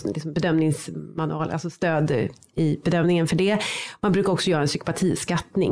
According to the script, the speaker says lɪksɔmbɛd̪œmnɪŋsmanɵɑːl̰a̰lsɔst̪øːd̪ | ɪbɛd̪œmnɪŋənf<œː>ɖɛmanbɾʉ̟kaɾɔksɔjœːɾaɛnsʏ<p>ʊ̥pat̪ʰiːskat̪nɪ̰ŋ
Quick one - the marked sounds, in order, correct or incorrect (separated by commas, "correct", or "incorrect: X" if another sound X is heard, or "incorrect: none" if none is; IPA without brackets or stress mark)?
incorrect: œ, incorrect: k